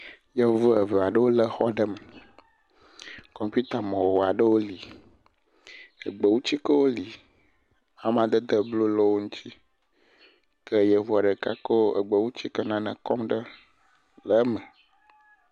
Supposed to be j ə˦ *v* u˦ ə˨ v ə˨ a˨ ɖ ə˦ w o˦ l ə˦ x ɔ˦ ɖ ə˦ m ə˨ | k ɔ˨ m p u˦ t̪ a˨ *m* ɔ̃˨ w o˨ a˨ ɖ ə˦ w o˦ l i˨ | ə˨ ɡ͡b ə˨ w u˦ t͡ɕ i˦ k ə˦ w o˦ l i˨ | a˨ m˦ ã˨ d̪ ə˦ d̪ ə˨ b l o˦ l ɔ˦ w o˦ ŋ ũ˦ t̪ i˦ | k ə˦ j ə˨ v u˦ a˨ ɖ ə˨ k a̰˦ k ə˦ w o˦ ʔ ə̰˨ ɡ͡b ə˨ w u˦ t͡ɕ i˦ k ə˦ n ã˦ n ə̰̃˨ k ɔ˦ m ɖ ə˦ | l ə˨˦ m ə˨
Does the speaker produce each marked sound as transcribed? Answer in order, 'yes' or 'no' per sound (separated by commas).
yes, yes